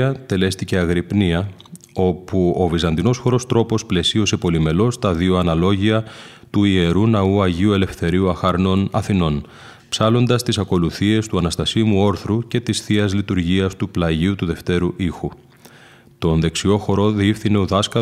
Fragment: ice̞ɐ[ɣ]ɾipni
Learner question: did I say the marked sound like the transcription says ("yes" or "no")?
yes